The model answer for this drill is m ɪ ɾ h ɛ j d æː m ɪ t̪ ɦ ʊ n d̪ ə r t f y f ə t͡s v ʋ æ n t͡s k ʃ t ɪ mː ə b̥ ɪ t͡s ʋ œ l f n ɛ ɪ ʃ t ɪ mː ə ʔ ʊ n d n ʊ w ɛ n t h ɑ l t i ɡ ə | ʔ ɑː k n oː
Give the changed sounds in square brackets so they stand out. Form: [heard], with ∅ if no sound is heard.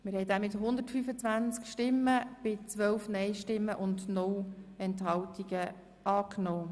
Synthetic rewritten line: m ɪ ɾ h ɛ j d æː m ɪ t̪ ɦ ʊ n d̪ ə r t f y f ə t͡s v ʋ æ n t͡s k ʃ t ɪ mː ə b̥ ɪ t͡s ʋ œ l f n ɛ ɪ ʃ t ɪ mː ə ʔ ʊ n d n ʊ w ɛ n t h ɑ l t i ɡ ə | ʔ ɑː k n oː